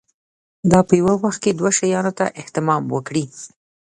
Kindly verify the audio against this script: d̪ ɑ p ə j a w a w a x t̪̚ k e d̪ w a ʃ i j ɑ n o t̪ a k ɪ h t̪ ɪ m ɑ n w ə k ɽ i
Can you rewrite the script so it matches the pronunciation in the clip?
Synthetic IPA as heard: d̪ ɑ p ə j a w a w a x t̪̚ k e d̪ w a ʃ a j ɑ n o t̪ a ʔ ɪ h t̪ ɪ m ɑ m w ə k ɽ i

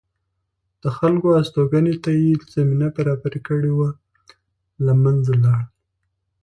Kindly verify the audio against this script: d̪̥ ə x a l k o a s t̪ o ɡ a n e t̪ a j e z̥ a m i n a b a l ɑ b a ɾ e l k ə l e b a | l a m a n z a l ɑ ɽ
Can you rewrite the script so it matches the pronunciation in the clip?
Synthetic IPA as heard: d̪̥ ə x a l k o a s t̪ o ɡ a n e t̪ a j e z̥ a m i n a b a ɾ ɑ b a ɾ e k ə ɽ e w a | l a m a n z a l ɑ ɽ

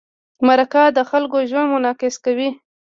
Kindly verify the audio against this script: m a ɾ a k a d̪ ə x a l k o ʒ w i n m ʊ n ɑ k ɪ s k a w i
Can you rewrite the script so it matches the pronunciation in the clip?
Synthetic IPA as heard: m a ɾ a k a d̪ ə x a l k o ʒ w a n m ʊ n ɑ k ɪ s k a w i

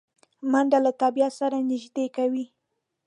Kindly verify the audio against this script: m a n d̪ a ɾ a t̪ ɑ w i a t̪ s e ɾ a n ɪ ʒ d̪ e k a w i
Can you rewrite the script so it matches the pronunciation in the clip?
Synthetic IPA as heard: m a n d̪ a l a t̪ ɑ b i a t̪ s a ɾ a n ɪ ʒ d̪ e k a w i

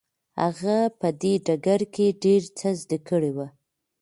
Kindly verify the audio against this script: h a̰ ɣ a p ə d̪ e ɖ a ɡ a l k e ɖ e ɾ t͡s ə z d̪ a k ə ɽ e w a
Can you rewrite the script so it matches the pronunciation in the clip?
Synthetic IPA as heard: h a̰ ɣ a p ə d̪ e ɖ a ɡ a ɾ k e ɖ e ɾ t͡s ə z d̪ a k ə ɽ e w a

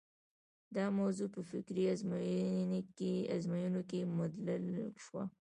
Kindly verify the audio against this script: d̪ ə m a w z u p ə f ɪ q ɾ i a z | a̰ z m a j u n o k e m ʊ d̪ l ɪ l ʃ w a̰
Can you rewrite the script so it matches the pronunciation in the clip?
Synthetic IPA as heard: d̪ ɑ m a w z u p ə f ɪ k ɾ i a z | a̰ z m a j u n o k e m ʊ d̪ l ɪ l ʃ w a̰

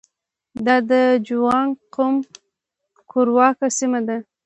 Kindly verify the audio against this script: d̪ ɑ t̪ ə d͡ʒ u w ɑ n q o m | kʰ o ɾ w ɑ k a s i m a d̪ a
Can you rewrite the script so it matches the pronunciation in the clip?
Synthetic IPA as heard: d̪ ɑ d̪ ə d͡ʒ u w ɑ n q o m | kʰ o ɾ w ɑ k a s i m a d̪ a

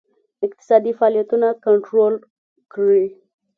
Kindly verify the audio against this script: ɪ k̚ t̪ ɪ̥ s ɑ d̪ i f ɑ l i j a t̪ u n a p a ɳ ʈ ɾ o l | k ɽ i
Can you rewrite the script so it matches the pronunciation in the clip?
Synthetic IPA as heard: ɪ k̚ t̪ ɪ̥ s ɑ d̪ i f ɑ l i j a t̪ u n a k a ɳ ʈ ɾ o l | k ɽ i

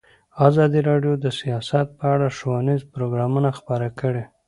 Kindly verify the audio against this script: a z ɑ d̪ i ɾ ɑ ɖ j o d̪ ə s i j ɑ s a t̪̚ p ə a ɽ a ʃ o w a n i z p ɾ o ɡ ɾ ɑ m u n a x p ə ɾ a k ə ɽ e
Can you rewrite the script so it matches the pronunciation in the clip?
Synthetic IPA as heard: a z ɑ d̪ i ɾ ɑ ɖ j o d̪ ə s i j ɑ s a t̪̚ p ə a ɽ a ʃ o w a n i z p ɾ o ɡ ɾ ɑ m u n a x p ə ɾ a k ə ɽ e

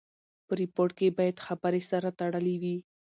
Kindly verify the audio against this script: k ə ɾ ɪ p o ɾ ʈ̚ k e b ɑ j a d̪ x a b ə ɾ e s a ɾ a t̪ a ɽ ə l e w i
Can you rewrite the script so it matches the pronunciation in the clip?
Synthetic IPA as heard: p ə ɾ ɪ p o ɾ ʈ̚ k e b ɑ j a d̪ x a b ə ɾ e s a ɾ a t̪ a ɽ ə l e w i

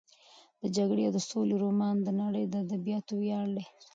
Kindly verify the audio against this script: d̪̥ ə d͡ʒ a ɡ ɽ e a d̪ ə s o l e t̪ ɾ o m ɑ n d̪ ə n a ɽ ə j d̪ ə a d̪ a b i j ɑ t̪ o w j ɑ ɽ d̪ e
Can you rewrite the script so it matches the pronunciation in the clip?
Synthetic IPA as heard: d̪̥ ə d͡ʒ a ɡ ɽ e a d̪ ə s o l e ɾ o m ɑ n d̪ ə n a ɽ ə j d̪ ə a d̪ a b i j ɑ t̪ o w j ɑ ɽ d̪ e

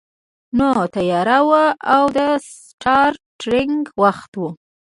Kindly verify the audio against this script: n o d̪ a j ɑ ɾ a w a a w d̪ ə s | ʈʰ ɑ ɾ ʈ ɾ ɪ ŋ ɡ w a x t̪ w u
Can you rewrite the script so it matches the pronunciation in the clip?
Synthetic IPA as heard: n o t̪ a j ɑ ɾ a w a a w d̪ ə s | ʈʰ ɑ ɾ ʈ ɾ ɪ ŋ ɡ w a x t̪ w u

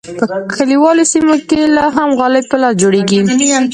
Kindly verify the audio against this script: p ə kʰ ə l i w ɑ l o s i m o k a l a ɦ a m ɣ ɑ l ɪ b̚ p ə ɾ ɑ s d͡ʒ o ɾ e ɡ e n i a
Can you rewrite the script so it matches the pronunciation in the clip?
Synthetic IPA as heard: p ə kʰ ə l i w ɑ l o s i m o k e l ɑ ɦ a m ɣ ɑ l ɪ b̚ p ə l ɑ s d͡ʒ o ɽ e ɡ i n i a

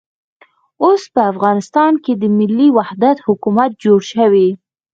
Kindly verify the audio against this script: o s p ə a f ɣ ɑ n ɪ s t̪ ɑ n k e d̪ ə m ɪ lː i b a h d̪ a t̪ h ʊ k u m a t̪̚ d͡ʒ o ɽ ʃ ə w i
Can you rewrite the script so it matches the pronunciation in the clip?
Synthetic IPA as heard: o s p ə a f ɣ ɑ n ɪ s t̪ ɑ n k e d̪ ə m ɪ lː i w a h d̪ a t̪ h ʊ k u m a t̪̚ d͡ʒ o ɽ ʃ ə w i

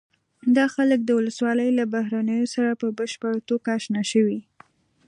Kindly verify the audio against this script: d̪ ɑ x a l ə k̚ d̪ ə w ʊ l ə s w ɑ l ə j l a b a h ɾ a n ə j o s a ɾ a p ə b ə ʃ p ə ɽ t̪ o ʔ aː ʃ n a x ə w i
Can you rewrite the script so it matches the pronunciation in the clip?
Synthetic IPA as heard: d̪ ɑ x a l ə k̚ d̪ ə w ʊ l ə s w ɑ l ə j l a b a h ɾ a n ə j o s a ɾ a p ə b ə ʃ p ə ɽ t̪ o k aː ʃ n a ʃ ə w i

